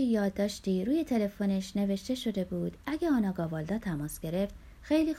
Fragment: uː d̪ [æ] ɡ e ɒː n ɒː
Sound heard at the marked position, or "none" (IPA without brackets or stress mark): æ